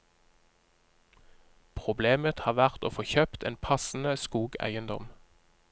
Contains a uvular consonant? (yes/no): yes